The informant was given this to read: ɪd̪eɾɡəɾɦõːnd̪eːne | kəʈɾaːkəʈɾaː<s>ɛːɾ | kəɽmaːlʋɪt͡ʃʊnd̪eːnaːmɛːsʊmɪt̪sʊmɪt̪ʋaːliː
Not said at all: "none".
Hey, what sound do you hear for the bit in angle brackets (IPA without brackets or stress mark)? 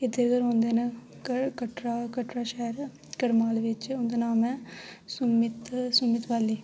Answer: ʃ